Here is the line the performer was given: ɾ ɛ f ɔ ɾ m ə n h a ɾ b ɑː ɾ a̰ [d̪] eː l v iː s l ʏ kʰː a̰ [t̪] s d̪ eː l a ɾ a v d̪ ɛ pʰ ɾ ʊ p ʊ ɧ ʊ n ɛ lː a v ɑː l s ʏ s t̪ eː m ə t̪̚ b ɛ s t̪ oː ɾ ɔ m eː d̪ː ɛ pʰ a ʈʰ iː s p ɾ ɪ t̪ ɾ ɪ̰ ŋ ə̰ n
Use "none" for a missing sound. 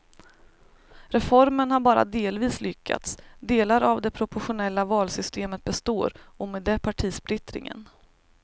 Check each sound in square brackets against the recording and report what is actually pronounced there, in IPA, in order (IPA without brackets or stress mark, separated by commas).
d̪, t̪